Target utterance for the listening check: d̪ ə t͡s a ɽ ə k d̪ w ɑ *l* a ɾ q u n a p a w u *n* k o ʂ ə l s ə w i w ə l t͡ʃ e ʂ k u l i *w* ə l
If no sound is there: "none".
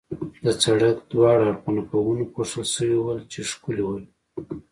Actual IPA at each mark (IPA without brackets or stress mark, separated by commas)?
ɽ, n, w